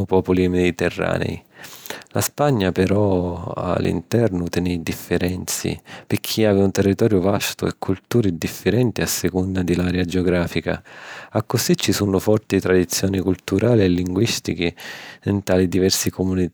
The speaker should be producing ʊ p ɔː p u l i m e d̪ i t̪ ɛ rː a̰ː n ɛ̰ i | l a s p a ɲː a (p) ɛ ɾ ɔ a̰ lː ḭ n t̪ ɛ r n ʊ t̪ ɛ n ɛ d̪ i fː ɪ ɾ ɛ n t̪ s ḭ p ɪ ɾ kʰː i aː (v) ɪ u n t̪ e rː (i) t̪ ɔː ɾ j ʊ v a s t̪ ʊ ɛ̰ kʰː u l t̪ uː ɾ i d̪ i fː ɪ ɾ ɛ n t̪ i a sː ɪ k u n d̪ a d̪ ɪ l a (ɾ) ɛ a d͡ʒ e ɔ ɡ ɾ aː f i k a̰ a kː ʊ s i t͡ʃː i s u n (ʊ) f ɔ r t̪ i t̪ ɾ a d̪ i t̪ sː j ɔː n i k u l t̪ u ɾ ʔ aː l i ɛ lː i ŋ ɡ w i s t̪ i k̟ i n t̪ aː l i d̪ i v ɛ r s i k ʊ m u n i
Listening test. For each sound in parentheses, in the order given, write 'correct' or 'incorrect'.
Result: correct, correct, correct, correct, correct

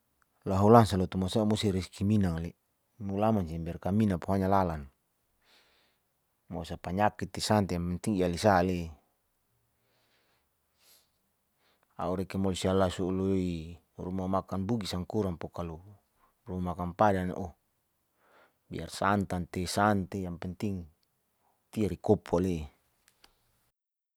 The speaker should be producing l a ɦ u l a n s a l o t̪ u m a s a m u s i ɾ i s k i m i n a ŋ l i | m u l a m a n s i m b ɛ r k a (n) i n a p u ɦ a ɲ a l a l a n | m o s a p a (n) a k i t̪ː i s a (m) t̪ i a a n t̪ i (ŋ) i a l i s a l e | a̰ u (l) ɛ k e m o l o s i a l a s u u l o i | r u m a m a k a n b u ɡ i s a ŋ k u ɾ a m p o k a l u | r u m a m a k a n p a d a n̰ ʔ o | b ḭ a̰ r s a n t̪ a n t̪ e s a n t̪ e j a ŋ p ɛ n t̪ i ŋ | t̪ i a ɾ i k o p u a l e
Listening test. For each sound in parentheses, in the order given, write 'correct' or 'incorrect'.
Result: incorrect: m, incorrect: ɲ, incorrect: n, correct, incorrect: ɾ

